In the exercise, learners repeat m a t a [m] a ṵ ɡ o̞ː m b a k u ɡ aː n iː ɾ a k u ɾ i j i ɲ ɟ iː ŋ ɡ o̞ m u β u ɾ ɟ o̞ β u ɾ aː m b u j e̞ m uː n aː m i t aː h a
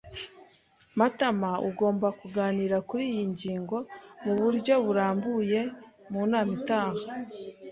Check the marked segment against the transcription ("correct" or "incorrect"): correct